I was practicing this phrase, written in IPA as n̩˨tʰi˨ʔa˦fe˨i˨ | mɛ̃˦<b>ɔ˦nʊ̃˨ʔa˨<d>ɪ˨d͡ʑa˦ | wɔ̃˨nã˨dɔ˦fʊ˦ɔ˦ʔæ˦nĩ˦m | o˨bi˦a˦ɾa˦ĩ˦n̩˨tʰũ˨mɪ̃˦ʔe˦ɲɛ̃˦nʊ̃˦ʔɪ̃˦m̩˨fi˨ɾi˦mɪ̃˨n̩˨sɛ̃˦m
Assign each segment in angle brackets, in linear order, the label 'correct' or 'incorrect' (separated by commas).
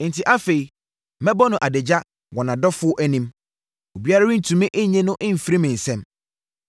correct, correct